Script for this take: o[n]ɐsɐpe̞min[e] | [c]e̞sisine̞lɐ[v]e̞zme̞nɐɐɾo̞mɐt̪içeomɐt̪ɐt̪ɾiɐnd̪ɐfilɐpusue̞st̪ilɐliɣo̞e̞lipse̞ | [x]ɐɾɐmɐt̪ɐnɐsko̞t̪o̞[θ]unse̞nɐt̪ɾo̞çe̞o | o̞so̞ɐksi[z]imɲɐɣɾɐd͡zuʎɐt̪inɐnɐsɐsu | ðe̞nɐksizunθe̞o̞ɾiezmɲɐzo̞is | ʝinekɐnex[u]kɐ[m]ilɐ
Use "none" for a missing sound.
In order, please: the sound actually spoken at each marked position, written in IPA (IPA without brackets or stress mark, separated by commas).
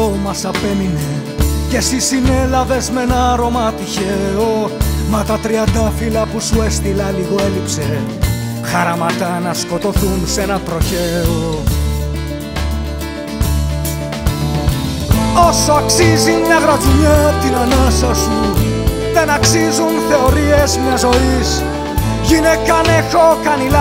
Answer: m, e, c, v, x, θ, z, o, n